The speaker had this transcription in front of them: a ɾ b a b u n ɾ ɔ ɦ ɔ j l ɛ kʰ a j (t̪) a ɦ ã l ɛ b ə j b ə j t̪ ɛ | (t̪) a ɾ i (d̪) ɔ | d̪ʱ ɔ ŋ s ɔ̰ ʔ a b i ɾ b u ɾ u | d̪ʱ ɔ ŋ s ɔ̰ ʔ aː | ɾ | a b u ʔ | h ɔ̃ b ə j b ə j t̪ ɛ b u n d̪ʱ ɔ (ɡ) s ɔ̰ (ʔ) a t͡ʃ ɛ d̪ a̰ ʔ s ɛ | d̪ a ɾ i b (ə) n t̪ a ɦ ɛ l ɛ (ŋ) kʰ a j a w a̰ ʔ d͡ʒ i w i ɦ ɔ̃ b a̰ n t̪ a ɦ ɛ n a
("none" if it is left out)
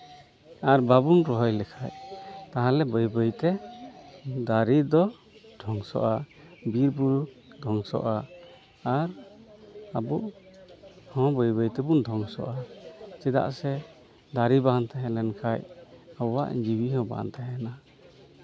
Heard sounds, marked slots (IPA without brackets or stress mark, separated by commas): t̪, d̪, d̪, ŋ, ʔ, a, n